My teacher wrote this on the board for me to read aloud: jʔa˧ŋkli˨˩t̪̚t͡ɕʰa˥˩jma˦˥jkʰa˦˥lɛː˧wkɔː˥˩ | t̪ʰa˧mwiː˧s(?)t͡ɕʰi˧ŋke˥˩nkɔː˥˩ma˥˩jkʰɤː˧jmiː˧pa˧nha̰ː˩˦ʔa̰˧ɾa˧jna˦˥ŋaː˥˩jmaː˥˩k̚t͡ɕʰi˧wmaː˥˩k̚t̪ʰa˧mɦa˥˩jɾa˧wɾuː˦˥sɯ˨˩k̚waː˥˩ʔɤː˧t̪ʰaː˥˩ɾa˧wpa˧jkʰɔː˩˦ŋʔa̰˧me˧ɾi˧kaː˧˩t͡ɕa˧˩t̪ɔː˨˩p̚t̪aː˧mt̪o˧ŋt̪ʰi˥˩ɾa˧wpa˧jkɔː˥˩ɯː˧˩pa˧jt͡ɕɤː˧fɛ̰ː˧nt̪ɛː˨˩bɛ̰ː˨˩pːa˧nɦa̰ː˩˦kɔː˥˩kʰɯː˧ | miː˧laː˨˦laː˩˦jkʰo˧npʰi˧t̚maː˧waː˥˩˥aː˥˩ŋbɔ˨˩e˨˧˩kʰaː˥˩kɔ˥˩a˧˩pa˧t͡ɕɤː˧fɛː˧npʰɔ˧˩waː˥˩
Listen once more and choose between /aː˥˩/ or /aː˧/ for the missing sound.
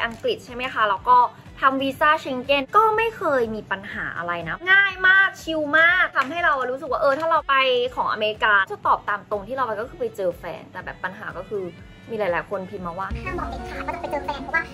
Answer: aː˥˩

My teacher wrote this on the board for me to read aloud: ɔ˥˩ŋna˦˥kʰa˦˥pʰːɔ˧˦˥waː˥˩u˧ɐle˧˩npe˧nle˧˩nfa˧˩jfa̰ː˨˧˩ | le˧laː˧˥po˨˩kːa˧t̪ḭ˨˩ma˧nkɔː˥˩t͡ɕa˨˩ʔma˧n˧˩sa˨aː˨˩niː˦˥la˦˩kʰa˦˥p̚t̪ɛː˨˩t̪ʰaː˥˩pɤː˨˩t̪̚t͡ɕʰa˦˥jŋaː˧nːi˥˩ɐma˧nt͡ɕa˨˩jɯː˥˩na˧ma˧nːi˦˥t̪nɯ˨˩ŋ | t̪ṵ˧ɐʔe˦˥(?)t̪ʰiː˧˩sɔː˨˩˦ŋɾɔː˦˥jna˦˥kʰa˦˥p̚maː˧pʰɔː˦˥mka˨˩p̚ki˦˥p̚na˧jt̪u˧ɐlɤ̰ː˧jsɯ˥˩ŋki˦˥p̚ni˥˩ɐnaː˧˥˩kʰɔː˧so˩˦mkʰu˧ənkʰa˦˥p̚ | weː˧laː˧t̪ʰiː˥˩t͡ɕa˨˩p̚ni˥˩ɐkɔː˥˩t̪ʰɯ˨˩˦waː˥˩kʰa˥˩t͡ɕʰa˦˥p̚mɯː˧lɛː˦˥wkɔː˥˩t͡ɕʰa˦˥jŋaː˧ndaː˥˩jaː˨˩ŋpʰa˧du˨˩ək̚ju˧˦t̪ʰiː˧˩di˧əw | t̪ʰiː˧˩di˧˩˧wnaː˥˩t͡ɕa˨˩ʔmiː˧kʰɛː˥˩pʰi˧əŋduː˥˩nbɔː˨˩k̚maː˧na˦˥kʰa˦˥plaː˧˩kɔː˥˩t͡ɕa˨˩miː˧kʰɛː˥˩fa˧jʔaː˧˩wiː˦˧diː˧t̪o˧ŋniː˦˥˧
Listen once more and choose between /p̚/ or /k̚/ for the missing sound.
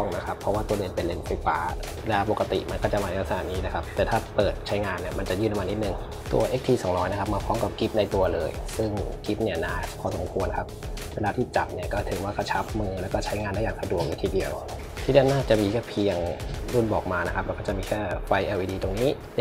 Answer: k̚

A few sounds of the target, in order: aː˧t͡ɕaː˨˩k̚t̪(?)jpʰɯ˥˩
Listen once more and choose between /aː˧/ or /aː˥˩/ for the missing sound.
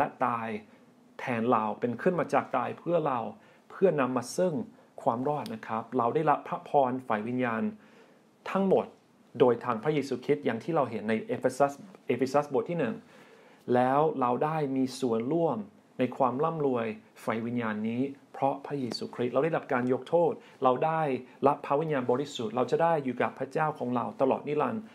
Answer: aː˧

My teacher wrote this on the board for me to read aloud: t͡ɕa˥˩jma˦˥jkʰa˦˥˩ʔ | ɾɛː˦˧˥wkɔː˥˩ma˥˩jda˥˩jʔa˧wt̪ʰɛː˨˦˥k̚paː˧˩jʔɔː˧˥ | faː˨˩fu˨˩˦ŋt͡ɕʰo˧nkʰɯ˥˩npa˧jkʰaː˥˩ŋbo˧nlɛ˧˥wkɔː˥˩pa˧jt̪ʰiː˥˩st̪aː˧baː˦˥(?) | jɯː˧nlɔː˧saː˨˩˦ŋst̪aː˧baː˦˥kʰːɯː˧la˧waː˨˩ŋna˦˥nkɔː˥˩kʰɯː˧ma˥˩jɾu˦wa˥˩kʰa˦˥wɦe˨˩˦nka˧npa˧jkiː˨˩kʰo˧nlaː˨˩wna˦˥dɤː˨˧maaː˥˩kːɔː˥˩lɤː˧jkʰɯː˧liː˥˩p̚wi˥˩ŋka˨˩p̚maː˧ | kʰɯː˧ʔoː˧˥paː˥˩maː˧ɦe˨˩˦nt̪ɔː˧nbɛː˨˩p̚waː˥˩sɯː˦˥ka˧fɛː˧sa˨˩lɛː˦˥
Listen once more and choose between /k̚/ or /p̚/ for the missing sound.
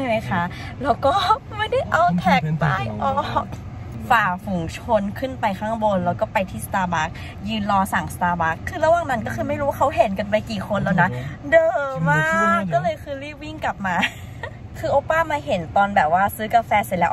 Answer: k̚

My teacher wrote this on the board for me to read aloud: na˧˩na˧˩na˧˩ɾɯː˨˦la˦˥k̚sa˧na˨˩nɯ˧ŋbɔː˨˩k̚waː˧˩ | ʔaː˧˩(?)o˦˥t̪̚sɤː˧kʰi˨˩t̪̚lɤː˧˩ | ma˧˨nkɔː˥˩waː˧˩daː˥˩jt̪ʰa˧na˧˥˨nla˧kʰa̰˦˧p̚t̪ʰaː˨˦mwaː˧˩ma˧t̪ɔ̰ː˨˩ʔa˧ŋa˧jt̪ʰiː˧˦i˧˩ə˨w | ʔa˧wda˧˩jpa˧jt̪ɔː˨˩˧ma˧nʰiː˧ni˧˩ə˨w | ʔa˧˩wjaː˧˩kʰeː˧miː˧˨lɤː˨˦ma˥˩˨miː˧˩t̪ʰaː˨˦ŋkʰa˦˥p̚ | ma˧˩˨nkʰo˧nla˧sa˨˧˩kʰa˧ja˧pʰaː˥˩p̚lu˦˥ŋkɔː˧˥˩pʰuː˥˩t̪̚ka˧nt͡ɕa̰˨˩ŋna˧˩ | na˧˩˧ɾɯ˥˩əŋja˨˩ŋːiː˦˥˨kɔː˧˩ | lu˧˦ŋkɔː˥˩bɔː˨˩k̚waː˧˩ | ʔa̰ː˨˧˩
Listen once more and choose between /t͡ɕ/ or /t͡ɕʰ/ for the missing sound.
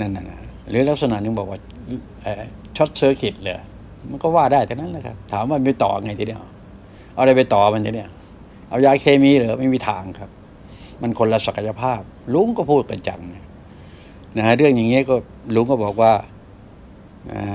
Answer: t͡ɕʰ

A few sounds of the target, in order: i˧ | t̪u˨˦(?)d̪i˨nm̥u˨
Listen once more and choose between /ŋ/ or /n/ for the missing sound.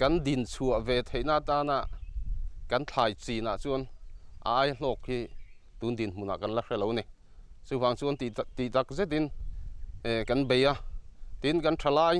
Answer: n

